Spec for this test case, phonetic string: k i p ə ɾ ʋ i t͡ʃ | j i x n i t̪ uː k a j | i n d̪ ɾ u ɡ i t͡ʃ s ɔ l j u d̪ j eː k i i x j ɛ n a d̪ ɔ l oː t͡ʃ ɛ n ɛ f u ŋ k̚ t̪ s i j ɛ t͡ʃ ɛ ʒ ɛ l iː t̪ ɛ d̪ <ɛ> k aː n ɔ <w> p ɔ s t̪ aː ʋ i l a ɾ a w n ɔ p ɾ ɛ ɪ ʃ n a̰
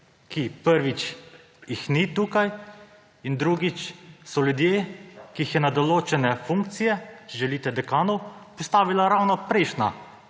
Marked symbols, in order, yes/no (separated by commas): yes, yes